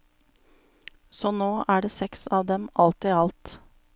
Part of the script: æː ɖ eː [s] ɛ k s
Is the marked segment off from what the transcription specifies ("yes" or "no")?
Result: no